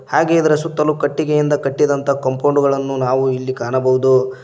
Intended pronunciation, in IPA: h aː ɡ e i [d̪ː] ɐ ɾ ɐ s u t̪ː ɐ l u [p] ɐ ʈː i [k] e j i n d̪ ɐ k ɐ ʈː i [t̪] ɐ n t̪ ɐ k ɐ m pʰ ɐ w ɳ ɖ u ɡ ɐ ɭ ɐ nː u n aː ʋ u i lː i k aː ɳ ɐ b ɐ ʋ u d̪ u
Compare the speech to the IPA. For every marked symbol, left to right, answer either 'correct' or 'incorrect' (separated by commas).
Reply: incorrect, incorrect, incorrect, incorrect